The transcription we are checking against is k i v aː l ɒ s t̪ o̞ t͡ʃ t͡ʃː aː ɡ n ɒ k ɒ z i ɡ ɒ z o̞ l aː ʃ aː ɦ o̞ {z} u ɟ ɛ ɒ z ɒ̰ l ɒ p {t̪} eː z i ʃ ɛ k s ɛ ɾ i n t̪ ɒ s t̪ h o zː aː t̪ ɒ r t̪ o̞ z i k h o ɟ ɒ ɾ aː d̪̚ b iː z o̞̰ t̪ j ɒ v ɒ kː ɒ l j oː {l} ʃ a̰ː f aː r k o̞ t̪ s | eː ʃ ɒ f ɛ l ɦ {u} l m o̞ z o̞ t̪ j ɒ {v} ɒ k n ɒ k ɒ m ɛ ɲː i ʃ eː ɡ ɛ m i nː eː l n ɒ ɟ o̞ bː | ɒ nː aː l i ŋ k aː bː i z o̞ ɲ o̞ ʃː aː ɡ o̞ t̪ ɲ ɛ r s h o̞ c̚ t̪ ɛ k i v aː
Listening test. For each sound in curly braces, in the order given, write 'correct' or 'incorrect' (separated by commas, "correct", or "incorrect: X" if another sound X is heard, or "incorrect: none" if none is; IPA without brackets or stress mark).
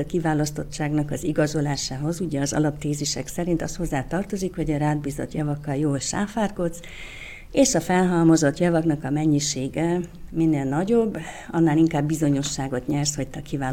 correct, correct, correct, incorrect: ɒ, correct